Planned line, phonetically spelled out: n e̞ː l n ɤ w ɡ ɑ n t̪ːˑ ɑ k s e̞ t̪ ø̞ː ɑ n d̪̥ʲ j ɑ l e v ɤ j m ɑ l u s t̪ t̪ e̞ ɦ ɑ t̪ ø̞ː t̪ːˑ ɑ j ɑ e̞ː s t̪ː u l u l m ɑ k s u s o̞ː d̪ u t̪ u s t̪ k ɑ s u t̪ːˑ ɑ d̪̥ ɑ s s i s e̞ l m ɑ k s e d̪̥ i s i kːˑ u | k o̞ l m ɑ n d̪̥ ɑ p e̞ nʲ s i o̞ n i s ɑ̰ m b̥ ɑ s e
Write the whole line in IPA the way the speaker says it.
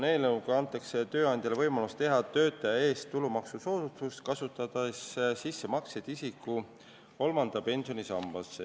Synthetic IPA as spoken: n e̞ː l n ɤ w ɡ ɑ n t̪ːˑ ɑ k s e̞ t̪ ø̞ː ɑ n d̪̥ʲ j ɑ l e v ɤ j m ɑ l u s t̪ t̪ e̞ ɦ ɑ t̪ ø̞ː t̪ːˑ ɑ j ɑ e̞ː s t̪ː u l u m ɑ k s u s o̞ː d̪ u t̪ u s t̪ k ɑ s u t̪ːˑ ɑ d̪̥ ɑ s s i sː e̞ m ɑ k s e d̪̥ i s i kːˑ u | k o̞ l m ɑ n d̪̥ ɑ p e̞ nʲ s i o̞ n i s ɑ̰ m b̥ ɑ s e